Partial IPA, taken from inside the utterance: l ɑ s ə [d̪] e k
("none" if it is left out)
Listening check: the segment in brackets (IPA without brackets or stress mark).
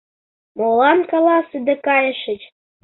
d̪